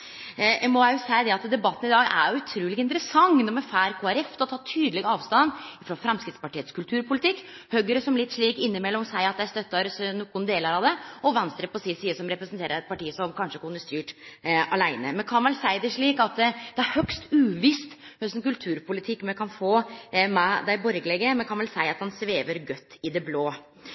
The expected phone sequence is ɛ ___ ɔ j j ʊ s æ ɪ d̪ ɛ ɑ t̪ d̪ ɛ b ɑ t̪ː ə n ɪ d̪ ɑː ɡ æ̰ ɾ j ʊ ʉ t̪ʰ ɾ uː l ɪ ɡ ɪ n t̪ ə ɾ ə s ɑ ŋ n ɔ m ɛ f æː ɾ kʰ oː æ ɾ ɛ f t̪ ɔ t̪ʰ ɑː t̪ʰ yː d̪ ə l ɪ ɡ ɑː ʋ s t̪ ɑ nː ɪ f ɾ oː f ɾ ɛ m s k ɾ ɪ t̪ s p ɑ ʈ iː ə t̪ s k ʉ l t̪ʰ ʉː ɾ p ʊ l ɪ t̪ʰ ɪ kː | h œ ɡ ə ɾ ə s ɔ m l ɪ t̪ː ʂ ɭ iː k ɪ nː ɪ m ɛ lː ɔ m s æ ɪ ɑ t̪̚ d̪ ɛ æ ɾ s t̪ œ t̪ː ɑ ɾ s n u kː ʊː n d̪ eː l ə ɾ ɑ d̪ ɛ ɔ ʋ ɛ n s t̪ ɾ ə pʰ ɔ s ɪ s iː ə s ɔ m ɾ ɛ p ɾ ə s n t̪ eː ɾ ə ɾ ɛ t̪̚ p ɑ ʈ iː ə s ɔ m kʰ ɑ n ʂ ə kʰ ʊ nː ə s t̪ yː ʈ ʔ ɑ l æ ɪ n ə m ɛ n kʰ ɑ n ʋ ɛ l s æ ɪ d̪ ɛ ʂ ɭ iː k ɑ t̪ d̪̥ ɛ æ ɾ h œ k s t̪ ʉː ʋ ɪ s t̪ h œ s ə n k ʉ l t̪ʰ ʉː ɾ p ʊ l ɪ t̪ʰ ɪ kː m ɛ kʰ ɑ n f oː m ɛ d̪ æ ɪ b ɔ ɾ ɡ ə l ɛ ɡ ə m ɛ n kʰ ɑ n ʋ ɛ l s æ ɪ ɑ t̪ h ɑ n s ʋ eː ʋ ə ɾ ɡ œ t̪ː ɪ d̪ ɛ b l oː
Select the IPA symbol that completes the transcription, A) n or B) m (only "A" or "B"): B